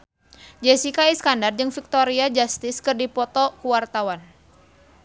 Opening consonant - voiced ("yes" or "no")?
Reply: yes